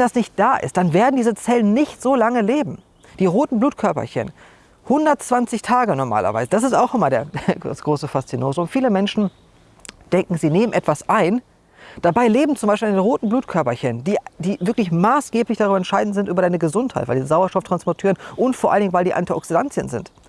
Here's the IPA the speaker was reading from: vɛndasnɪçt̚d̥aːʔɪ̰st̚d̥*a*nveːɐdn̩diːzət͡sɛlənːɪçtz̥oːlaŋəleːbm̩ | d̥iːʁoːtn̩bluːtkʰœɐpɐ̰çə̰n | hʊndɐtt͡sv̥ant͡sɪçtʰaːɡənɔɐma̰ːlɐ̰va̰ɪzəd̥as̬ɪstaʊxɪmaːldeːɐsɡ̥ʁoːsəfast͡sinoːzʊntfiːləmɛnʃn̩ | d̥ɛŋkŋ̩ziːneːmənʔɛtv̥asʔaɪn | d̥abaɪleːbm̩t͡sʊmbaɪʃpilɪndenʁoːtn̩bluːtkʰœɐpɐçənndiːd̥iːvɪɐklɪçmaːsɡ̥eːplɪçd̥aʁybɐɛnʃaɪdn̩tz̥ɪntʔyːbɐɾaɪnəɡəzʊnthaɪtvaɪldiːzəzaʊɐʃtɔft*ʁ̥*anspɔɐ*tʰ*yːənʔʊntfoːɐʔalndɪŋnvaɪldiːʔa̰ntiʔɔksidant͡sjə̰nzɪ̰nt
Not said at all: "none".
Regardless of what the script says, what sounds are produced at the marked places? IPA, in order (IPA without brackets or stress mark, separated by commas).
a, ʁ̥, tʰ